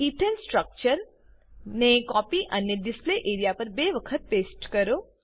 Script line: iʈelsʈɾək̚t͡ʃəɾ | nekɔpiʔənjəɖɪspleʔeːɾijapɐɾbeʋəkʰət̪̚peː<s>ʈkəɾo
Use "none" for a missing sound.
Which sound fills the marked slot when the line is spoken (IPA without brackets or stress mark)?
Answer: s